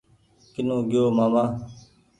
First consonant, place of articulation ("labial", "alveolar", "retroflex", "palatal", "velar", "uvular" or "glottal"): velar